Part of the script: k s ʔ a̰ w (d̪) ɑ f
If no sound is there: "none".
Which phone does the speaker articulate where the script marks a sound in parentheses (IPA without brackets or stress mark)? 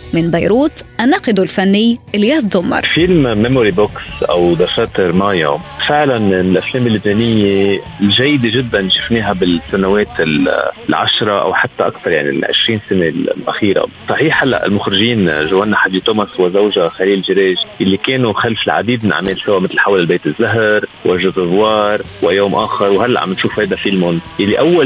d̪